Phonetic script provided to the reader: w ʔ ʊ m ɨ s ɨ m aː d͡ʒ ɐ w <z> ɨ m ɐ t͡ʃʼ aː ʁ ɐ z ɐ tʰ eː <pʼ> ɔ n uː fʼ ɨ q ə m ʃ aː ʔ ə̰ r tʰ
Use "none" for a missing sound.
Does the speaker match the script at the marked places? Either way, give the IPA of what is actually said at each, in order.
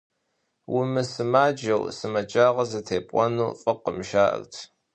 s, pʼ

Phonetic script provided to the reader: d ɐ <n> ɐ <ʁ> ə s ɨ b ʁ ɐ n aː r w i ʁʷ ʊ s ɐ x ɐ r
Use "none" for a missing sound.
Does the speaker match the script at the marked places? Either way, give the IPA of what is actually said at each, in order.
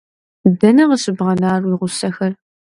n, ʁ

